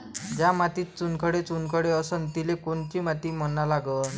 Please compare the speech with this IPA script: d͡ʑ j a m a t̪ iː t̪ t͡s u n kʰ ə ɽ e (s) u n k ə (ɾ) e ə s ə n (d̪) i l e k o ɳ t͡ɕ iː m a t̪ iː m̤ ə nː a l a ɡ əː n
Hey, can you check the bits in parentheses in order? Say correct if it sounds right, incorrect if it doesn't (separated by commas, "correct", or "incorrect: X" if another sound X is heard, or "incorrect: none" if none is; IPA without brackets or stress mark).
incorrect: t͡s, incorrect: ɽ, incorrect: t̪